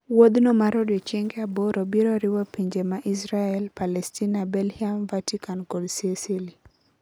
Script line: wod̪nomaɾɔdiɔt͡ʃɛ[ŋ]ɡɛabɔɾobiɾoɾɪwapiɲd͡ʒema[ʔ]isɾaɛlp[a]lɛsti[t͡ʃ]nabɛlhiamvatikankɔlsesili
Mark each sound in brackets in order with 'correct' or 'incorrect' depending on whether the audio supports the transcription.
correct, correct, correct, incorrect: none

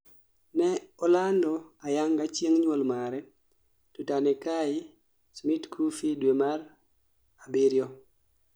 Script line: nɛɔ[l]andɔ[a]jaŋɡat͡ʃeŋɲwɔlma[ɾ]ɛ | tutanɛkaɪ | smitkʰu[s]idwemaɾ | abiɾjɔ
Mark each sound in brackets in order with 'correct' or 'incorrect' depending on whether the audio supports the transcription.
correct, correct, correct, incorrect: f

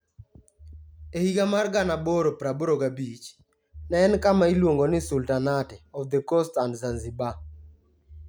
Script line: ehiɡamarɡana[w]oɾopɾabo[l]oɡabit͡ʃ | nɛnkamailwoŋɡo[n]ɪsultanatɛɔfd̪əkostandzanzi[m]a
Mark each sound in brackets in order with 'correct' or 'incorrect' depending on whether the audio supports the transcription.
incorrect: b, incorrect: ɾ, correct, incorrect: b

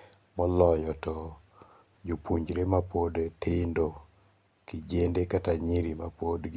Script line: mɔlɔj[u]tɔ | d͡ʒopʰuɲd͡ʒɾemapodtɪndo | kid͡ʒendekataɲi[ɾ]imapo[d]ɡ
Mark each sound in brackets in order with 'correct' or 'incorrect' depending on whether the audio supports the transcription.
incorrect: ɔ, correct, correct

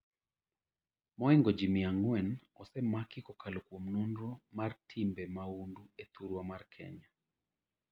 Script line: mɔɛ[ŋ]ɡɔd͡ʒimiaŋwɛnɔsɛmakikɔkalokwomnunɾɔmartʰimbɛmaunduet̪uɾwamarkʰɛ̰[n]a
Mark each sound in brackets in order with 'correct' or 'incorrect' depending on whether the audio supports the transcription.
correct, incorrect: ɲ

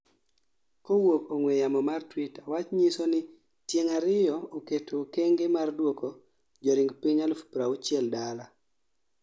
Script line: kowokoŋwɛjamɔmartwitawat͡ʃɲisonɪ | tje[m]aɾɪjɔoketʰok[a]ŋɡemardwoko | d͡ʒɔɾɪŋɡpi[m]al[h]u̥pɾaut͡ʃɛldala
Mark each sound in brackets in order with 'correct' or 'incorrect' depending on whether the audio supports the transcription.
incorrect: ŋ, incorrect: e, incorrect: ɲ, incorrect: f

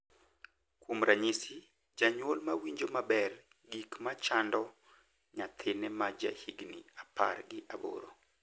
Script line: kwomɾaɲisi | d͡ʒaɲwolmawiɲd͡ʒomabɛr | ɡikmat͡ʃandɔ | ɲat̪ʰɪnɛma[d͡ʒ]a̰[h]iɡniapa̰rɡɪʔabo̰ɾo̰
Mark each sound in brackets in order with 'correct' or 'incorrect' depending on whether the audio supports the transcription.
correct, correct

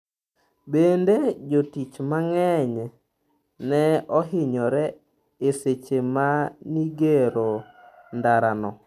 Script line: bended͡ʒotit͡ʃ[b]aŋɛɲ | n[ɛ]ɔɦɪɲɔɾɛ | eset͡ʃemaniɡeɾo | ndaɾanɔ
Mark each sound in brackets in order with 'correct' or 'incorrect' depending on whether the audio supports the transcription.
incorrect: m, correct

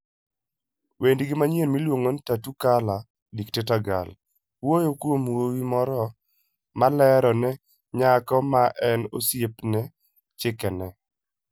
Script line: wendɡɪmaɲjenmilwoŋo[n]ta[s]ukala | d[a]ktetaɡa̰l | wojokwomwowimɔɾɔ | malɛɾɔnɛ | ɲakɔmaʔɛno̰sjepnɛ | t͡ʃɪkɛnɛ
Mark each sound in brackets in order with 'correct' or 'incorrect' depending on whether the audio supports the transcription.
correct, incorrect: t, incorrect: i

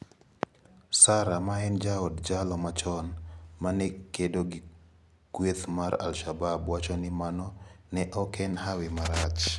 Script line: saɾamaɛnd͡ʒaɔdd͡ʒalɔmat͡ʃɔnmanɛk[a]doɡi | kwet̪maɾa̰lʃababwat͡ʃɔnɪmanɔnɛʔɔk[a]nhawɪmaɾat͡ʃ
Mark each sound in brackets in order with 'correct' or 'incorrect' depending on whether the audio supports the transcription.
incorrect: e, incorrect: ɛ

